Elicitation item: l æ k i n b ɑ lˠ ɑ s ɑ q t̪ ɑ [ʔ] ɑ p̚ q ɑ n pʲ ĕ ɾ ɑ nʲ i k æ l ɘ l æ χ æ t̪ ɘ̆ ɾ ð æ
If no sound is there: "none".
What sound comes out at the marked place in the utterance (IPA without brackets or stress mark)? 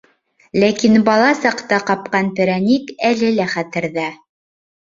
q